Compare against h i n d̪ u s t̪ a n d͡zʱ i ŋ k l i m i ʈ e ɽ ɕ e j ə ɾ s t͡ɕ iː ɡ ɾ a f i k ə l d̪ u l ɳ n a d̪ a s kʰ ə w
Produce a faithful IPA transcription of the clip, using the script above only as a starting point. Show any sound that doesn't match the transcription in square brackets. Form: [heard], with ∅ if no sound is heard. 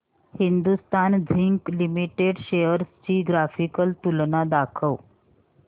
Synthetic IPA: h i n d̪ u s t̪ a n d͡zʱ i ŋ k l i m i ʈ e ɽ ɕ e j ə ɾ s t͡ɕ iː ɡ ɾ a f i k ə l [t̪] u l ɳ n a d̪ a [∅] kʰ ə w